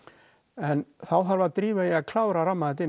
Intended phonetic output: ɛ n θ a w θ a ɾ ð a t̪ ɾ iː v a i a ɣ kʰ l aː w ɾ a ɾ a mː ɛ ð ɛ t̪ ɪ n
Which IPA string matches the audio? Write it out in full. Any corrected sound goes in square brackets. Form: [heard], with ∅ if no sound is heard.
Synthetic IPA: ɛ n θ a w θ a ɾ [v] a t̪ ɾ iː v a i a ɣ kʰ l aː w ɾ a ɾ a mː [a] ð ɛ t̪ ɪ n